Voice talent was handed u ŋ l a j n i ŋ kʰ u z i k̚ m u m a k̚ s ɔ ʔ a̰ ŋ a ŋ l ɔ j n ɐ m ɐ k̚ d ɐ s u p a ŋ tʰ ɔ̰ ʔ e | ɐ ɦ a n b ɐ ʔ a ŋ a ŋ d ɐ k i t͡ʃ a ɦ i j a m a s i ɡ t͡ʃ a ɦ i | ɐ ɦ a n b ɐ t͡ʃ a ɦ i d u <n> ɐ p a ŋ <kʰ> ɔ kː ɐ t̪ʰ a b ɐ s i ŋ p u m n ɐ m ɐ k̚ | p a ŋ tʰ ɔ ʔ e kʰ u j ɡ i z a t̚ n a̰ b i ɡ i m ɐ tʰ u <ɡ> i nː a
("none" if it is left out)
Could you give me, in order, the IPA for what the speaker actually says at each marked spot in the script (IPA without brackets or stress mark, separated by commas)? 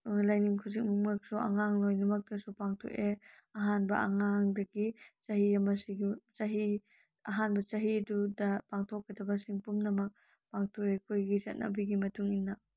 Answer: d, tʰ, ŋ